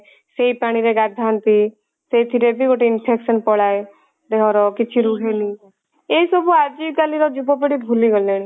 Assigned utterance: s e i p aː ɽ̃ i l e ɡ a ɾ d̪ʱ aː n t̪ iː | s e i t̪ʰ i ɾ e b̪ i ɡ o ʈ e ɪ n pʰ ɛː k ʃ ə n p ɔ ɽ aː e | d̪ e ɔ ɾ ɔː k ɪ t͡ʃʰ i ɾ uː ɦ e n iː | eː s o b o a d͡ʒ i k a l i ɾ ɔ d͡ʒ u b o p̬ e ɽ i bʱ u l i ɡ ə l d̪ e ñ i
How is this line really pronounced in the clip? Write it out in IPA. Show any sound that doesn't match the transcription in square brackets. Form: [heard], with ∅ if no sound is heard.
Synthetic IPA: s e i p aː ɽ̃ i [ɾ] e ɡ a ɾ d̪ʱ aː n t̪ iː | s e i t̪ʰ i ɾ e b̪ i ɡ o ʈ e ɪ n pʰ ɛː k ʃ ə n p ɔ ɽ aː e | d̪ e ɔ ɾ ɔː k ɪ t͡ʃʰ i ɾ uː ɦ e n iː | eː s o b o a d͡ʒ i k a l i ɾ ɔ d͡ʒ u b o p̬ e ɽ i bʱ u l i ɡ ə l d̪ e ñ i